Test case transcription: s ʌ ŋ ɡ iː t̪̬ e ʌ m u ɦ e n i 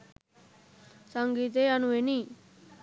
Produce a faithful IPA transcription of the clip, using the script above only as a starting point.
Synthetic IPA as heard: s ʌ ŋ ɡ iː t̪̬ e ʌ n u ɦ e n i